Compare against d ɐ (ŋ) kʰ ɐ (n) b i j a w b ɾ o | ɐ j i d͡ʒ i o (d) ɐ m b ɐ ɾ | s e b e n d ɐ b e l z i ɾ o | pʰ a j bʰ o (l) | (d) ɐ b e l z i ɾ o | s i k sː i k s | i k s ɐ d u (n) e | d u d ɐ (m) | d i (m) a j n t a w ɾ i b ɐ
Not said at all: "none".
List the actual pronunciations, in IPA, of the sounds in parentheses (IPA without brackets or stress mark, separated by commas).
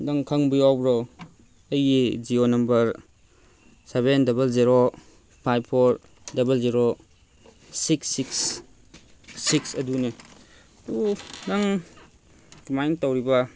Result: ŋ, ŋ, n, ɾ, d, n, ŋ, m